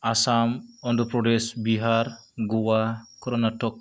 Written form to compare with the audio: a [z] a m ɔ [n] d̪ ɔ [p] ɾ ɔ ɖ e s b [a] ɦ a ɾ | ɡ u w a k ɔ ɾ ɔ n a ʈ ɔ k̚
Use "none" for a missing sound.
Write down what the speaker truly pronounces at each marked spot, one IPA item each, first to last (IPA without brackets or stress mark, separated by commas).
s, n, p, i